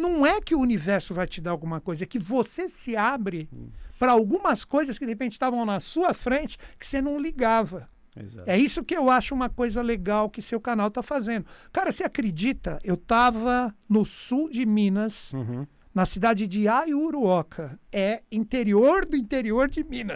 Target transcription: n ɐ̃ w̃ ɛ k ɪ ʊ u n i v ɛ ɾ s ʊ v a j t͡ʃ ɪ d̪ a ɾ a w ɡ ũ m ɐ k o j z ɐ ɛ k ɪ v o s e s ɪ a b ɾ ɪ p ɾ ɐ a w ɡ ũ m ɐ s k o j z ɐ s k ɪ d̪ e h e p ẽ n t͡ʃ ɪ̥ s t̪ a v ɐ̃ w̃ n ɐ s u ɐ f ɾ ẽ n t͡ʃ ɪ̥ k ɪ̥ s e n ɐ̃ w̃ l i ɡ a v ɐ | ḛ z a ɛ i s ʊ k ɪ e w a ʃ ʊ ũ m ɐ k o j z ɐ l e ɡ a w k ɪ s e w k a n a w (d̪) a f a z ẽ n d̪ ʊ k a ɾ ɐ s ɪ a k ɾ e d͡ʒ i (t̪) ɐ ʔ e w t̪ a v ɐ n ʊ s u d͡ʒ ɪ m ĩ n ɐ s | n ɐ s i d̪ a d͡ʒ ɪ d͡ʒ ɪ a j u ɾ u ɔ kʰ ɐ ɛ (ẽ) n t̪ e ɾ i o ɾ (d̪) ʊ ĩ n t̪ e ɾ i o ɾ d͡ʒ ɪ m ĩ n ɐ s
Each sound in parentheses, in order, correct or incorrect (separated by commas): incorrect, correct, incorrect, correct